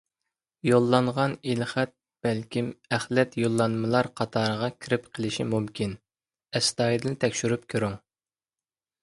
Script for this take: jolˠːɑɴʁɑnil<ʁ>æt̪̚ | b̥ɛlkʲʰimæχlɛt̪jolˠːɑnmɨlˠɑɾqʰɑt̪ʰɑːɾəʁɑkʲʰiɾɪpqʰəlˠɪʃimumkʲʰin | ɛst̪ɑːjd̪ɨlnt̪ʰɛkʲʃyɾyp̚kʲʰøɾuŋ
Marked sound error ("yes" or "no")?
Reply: yes